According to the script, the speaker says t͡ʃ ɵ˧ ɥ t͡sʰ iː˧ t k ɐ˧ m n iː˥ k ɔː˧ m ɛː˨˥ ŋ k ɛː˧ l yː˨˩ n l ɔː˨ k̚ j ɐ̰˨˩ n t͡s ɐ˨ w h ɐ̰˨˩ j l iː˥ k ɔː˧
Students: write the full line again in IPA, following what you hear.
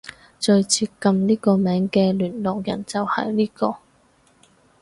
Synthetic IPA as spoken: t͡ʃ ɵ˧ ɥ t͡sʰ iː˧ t k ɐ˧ m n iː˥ k ɔː˧ m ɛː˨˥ ŋ k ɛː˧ l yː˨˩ n l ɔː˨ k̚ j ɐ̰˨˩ n t͡s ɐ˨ w h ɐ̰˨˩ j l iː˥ k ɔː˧